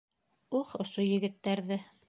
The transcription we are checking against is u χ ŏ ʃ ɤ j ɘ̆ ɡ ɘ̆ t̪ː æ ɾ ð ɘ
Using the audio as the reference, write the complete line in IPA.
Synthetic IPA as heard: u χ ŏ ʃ o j ɘ̆ ɡ ɘ̆ t̪ː æ ɾ ð ɘ